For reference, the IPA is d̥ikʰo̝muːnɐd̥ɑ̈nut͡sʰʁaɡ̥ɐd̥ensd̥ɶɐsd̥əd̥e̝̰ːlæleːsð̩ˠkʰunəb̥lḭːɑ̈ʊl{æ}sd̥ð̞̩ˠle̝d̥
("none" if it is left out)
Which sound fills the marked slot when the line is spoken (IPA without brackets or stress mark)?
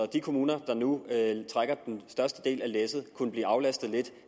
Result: æ